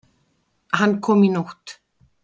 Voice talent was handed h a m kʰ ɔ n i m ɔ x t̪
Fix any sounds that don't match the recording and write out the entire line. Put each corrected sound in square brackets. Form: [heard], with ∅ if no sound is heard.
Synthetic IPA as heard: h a [n] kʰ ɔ [m] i [n] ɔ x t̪